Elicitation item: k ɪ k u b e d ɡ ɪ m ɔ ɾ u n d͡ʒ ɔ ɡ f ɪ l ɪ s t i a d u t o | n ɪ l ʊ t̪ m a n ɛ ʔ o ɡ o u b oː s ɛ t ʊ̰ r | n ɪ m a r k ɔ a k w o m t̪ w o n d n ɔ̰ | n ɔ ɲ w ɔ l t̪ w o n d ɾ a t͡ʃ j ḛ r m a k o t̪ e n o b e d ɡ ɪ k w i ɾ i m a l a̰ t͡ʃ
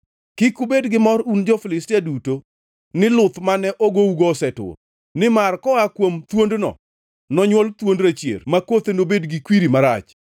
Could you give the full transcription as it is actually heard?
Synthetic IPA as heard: k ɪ k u b e d ɡ ɪ m ɔ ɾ u n d͡ʒ ɔ f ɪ l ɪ s t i a d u t o | n ɪ l ʊ t̪ m a n ɛ ʔ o ɡ o u ɡ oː s ɛ t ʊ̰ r | n ɪ m a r k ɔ a k w o m t̪ w o n d n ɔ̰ | n ɔ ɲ w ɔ l t̪ w o n d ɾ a t͡ʃ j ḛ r m a k o t̪ e n o b e d ɡ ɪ k w i ɾ i m a ɾ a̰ t͡ʃ